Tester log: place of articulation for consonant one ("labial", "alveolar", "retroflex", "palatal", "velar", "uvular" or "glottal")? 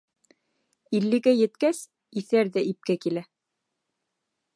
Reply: alveolar